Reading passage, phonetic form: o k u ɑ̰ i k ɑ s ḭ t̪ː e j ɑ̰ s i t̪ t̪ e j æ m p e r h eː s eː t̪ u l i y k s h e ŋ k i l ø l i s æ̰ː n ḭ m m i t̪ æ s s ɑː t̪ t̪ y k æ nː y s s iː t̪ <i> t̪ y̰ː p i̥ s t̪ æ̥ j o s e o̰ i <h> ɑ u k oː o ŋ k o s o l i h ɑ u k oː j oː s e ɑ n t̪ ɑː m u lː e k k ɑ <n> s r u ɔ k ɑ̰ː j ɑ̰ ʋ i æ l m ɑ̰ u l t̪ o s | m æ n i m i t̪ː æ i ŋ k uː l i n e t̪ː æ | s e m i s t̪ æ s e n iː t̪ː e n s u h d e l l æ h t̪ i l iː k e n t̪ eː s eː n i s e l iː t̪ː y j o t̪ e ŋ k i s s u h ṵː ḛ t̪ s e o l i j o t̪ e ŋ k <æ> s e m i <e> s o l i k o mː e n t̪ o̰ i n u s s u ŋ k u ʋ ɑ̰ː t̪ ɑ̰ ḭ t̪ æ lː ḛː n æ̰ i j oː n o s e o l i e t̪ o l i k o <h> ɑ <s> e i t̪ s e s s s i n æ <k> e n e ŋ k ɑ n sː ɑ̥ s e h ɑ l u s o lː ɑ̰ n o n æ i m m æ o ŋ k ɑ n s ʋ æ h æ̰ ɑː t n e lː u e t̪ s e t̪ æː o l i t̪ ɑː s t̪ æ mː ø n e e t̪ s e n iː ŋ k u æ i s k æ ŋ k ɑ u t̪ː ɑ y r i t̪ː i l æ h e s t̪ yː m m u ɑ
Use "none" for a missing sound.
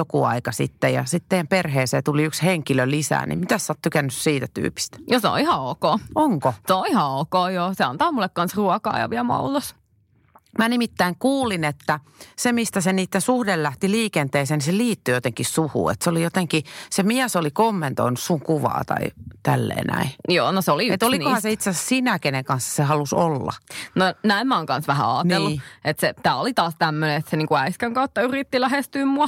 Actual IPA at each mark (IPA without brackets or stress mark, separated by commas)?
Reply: æ, h, n, i, æ, h, s, k